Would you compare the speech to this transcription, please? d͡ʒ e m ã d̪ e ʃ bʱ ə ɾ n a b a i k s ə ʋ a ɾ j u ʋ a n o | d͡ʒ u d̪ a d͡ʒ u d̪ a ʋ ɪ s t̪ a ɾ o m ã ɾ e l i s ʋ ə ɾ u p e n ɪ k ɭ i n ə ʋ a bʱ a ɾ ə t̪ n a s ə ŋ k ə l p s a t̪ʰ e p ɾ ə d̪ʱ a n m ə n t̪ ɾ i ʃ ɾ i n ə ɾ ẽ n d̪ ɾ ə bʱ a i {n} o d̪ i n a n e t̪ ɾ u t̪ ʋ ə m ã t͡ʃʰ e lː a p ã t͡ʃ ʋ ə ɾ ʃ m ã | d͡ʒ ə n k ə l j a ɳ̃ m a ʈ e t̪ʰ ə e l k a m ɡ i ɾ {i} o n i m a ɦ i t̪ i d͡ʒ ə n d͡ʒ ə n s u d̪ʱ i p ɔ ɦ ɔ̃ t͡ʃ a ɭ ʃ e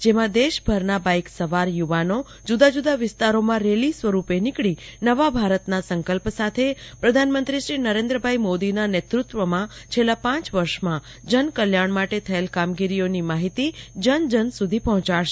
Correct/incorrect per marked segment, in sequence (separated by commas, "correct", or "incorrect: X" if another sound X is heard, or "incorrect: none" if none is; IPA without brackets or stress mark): incorrect: m, correct